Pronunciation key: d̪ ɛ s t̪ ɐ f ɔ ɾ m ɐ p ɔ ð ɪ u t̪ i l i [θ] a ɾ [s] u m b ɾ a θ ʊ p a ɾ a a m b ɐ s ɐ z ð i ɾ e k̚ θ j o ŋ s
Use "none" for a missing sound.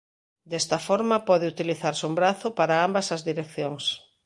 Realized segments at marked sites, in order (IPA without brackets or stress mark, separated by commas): θ, s